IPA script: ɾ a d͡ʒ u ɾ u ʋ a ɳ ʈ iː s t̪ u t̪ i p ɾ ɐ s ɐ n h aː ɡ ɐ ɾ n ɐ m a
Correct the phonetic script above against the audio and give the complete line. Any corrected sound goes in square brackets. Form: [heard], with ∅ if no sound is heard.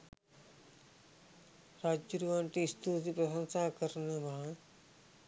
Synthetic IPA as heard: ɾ a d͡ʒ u ɾ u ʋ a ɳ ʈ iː s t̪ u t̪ i p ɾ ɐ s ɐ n [s] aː [k] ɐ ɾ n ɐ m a

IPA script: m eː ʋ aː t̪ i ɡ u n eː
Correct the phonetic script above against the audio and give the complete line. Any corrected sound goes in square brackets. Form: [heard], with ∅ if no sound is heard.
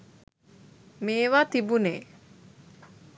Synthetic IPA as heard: m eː ʋ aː t̪ i [b] u n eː

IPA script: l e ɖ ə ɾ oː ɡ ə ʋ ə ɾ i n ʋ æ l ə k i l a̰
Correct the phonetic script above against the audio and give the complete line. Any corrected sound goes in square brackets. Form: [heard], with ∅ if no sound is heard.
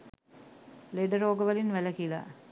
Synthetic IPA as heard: l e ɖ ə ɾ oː ɡ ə ʋ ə [l] i n ʋ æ l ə k i l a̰

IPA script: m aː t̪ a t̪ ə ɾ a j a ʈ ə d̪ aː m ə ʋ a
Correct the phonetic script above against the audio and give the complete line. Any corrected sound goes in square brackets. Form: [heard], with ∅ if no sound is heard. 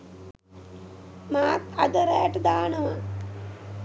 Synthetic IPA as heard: m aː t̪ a [d̪] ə ɾ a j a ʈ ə d̪ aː [n] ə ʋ a

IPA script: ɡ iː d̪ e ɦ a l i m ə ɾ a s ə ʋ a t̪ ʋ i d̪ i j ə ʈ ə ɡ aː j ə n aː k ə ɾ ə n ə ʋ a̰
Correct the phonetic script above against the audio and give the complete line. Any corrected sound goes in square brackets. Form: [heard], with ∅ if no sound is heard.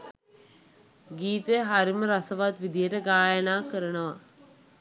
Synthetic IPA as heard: ɡ iː [t̪] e ɦ a [ɾ] i m ə ɾ a s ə ʋ a t̪ ʋ i d̪ i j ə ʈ ə ɡ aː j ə n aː k ə ɾ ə n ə ʋ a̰

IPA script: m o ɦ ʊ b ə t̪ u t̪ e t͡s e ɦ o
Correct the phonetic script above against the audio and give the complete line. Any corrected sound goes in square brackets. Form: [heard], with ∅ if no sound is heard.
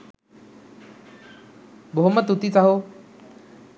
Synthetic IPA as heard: [b] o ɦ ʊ [m] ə t̪ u t̪ [i] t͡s [a] ɦ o

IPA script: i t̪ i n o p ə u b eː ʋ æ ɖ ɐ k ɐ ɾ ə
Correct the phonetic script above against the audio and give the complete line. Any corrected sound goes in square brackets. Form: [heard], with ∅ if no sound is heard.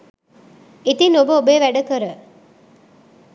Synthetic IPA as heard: i t̪ i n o [b] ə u b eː ʋ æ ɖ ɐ k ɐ ɾ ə

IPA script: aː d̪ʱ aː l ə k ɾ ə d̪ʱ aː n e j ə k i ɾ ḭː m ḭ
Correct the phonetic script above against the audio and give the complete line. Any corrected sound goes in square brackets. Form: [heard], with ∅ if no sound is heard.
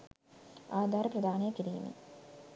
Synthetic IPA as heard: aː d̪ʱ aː [ɾ] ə [p] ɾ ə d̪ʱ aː n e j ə k i ɾ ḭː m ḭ

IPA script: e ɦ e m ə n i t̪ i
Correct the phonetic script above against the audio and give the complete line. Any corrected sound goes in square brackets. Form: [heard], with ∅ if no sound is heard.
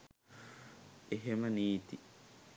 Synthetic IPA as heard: e ɦ e m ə n [iː] t̪ i

